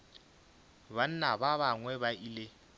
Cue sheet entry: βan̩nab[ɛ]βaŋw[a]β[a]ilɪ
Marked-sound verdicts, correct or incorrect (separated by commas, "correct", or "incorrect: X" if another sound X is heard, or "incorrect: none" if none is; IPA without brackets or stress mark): incorrect: a, incorrect: ɛ, correct